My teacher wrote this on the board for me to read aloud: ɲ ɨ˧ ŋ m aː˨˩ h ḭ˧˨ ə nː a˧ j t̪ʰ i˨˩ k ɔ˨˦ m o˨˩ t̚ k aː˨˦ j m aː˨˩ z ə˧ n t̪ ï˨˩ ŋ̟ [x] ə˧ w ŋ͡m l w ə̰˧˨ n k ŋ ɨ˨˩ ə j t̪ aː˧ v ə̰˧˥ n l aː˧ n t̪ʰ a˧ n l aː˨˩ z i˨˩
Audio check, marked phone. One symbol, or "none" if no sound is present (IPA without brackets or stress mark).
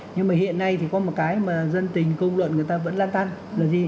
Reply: k